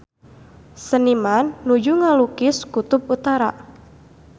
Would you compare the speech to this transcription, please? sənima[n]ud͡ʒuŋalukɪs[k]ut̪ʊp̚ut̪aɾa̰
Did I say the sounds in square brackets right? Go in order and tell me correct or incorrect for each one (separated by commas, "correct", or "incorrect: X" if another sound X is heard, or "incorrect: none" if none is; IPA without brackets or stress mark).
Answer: incorrect: nː, correct